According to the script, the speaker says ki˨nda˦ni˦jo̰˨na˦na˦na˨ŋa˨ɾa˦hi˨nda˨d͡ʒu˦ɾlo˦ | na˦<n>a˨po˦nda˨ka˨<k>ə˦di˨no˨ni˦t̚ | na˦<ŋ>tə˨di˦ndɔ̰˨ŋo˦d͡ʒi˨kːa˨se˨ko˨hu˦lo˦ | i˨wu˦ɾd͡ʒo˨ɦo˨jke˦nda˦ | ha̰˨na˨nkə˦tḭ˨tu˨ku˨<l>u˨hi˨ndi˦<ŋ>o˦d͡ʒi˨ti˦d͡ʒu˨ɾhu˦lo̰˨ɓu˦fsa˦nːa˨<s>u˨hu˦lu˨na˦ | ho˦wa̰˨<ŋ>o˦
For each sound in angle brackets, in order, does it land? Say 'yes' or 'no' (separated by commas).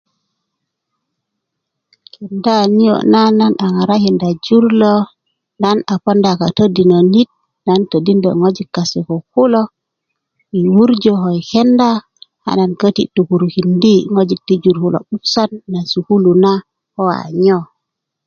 yes, no, no, no, yes, yes, no